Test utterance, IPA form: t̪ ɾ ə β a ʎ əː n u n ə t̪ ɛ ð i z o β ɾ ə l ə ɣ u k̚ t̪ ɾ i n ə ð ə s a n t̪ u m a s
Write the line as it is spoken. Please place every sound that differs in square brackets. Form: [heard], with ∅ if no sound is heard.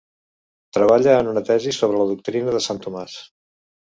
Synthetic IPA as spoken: t̪ ɾ ə β a ʎ əː n u n ə t̪ ɛ [z] i [s] o β ɾ ə l ə [ð] u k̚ t̪ ɾ i n ə ð ə s a n t̪ u m a s